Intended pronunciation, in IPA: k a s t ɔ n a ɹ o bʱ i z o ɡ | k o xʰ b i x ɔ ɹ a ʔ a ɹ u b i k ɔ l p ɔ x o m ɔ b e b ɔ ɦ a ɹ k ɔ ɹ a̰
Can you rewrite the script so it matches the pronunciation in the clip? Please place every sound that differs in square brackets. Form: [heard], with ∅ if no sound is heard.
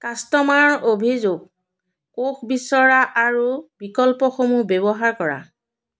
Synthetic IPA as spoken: k a s t ɔ [m] a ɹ o bʱ i z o ɡ | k o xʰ b i [s] ɔ ɹ a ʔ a ɹ u b i k ɔ l p ɔ x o m [u] b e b ɔ ɦ a ɹ k ɔ ɹ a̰